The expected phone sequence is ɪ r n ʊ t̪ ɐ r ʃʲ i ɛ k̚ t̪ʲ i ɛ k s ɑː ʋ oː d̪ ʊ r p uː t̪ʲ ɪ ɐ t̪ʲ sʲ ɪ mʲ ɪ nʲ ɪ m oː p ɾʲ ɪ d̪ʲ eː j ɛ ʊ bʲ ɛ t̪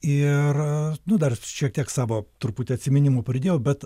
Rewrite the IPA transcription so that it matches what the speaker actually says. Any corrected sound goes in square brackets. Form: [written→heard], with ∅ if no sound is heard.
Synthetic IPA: ɪ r n ʊ [t̪→d̪] ɐ r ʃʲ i ɛ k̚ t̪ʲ i ɛ k s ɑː ʋ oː [d̪→t̪] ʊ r p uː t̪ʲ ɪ ɐ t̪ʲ sʲ ɪ mʲ ɪ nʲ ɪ m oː p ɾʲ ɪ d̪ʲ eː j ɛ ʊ bʲ ɛ t̪